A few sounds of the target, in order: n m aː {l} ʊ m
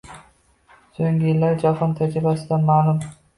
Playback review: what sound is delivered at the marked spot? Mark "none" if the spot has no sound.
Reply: l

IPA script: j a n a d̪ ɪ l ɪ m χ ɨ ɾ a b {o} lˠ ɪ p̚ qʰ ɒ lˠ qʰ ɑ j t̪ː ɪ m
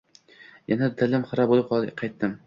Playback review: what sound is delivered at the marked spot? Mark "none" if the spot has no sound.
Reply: o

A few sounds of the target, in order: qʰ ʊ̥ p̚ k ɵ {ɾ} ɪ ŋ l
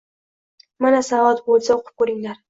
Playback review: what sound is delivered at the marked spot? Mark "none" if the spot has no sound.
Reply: ɾ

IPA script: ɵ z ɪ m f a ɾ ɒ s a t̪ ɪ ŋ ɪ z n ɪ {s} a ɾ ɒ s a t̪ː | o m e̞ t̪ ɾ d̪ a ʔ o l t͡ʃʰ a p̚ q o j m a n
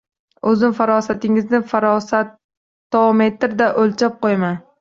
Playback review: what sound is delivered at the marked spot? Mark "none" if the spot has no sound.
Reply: f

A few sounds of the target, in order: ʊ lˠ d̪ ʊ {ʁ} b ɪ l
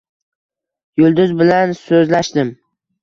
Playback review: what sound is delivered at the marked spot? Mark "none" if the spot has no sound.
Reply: z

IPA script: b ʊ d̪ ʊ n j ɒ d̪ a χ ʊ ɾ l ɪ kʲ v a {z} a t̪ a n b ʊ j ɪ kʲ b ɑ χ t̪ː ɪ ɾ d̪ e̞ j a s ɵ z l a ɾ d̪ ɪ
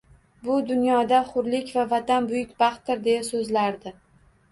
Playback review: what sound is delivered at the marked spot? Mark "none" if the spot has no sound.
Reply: v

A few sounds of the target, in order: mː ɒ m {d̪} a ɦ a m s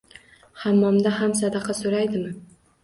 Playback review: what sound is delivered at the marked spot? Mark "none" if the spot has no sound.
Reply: d̪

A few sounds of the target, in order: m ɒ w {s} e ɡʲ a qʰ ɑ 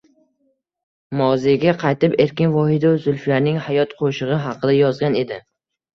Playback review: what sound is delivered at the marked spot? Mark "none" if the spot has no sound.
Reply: z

